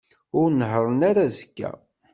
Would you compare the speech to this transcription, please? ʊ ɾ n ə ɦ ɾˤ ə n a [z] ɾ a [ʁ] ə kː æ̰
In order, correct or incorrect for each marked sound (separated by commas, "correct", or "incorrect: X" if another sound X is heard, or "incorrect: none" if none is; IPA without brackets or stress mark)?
incorrect: none, incorrect: z